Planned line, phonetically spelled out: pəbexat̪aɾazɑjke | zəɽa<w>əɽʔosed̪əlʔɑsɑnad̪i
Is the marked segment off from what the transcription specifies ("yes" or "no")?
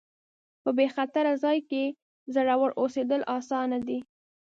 no